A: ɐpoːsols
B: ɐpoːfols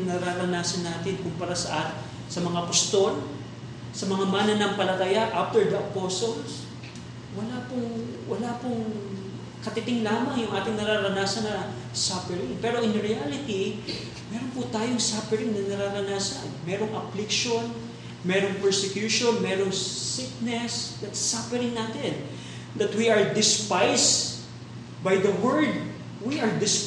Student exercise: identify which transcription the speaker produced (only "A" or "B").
A